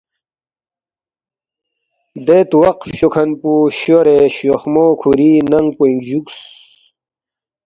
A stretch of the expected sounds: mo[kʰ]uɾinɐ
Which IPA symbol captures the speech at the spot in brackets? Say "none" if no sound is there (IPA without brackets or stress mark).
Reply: kʰ